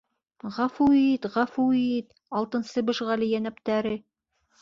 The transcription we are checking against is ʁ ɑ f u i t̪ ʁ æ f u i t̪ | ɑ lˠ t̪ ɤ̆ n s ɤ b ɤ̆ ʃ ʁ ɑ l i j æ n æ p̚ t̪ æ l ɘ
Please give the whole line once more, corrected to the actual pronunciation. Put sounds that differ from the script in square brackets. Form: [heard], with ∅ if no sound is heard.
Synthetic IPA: ʁ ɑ f u i t̪ ʁ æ f u i t̪ | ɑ lˠ t̪ ɤ̆ n s ɤ b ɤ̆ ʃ ʁ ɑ l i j æ n æ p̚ t̪ æ [ɾ] ɘ